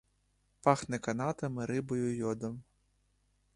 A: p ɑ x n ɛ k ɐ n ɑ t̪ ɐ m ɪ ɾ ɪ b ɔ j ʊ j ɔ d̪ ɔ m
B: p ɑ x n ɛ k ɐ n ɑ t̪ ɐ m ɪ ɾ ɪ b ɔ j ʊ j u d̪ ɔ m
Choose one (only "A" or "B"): A